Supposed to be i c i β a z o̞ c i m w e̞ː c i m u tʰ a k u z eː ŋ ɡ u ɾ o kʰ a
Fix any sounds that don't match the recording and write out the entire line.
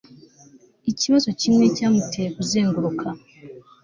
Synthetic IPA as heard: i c i β a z o̞ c i m w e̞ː c a m u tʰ e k u z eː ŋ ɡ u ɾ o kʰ a